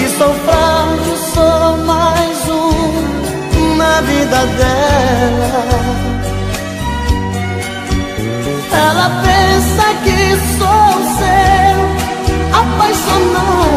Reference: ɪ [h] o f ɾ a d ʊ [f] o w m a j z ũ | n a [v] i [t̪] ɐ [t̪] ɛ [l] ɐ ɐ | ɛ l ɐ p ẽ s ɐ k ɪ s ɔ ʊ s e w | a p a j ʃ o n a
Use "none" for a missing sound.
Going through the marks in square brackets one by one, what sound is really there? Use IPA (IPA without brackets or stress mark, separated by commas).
s, s, v, d̪, d̪, l